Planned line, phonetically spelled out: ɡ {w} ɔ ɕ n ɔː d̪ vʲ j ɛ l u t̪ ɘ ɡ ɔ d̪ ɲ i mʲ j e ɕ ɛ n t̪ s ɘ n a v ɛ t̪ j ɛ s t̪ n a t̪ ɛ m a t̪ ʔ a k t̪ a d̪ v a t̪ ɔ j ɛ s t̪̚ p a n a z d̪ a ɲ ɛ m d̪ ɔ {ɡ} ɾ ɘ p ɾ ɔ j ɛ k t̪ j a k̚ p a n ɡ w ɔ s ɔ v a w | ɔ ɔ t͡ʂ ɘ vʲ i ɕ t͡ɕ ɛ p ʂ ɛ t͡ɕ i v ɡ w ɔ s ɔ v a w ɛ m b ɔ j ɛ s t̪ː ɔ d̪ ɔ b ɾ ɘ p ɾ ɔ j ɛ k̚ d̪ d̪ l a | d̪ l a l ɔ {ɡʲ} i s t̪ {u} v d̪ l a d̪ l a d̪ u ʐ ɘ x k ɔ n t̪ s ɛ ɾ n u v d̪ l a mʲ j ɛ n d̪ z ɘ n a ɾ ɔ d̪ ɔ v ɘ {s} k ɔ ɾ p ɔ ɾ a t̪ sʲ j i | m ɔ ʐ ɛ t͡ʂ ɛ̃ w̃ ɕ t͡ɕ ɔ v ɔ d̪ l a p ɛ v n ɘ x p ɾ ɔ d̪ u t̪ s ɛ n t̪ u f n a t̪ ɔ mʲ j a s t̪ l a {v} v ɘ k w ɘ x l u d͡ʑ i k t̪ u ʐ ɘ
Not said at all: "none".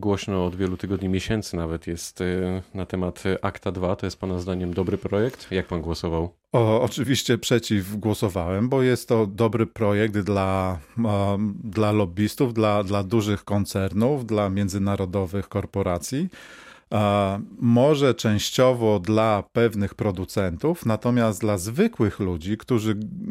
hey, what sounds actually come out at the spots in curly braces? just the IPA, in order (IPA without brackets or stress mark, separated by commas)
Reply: w, b, bʲ, u, x, z